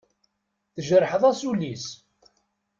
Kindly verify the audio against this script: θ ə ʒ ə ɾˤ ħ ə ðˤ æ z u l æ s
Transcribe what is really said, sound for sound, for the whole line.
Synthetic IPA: θ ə ʒ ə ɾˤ ħ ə ðˤ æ s u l i s